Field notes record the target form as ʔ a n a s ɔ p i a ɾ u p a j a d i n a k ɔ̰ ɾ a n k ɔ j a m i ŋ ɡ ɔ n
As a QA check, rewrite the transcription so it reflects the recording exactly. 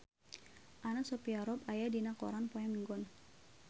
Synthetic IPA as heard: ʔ a n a s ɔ p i a ɾ ɔ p a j a d i n a k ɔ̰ ɾ a n p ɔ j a m i ŋ ɡ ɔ n